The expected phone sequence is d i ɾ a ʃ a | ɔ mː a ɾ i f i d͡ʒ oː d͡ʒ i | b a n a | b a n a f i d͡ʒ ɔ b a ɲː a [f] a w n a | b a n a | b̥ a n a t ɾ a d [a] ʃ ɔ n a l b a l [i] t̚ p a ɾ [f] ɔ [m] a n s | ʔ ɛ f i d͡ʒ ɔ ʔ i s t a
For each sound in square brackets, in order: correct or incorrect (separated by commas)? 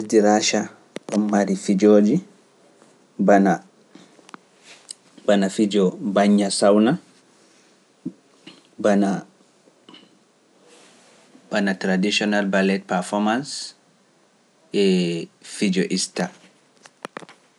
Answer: incorrect, incorrect, incorrect, correct, correct